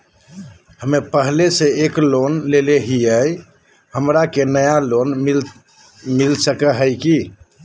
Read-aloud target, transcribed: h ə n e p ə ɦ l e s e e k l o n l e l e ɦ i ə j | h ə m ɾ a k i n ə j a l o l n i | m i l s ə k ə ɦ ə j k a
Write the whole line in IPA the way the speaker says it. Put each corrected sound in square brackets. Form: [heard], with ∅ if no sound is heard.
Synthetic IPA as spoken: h ə [m] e p ə ɦ l e s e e k l o n l e l e ɦ i ə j | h ə m ɾ a k [e] n ə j a l o [∅] n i | m i l s ə k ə ɦ ə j k [i]